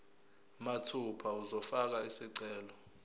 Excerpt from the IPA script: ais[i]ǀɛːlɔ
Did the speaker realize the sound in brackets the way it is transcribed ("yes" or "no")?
yes